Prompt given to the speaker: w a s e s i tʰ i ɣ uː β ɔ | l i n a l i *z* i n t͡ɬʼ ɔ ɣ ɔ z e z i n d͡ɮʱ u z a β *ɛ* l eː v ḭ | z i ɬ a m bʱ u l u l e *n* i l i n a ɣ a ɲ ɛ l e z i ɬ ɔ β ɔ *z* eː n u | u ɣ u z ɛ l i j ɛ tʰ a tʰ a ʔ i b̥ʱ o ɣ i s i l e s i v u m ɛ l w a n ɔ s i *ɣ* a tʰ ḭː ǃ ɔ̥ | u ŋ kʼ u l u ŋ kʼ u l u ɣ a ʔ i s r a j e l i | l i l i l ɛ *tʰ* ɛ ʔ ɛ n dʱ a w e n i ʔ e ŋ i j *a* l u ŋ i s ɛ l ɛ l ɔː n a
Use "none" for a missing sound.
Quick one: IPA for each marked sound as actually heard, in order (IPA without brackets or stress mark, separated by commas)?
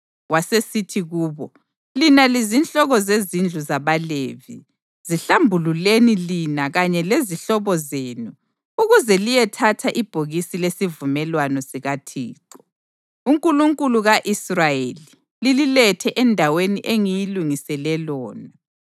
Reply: z, a, n, z, ɣ, tʰ, i